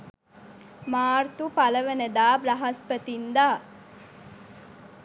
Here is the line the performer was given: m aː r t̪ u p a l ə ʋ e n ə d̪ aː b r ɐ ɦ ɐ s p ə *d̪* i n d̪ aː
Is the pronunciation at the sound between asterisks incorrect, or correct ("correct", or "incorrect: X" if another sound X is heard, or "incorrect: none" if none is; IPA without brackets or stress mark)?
incorrect: t̪